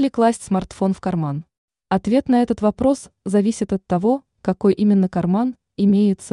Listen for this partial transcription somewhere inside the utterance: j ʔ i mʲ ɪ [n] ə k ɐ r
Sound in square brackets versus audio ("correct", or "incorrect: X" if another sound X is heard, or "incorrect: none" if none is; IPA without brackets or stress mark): incorrect: nː